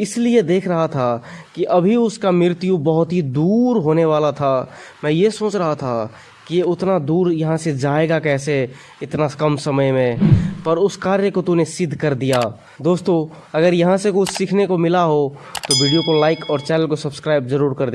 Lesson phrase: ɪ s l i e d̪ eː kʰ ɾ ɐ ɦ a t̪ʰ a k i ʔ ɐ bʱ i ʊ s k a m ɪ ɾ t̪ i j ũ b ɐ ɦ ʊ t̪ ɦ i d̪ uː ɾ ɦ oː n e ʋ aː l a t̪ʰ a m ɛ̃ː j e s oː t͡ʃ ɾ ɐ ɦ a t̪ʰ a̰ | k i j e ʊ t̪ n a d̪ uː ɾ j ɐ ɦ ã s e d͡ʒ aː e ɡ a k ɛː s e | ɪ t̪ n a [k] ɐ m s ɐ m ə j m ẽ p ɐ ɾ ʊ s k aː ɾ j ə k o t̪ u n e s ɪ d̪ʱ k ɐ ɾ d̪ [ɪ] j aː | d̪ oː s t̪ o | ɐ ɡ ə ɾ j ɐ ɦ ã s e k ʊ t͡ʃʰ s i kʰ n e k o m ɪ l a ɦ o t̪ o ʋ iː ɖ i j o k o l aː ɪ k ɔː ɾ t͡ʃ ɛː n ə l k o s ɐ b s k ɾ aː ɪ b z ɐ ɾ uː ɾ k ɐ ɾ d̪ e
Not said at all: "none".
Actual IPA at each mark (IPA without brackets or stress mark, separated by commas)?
k, i